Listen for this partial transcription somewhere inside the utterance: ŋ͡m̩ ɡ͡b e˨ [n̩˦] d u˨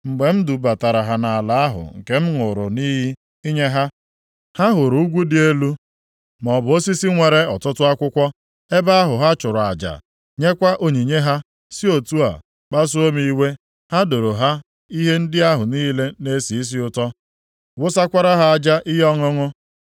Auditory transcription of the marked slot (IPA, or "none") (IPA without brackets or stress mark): m̩˦